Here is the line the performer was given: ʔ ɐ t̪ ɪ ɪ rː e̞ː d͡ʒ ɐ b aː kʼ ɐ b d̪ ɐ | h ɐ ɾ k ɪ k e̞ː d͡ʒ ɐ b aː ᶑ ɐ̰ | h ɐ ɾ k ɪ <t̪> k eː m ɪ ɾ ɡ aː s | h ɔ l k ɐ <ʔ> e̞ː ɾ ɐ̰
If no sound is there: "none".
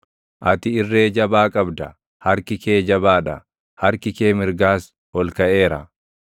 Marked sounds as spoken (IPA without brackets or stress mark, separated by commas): none, ʔ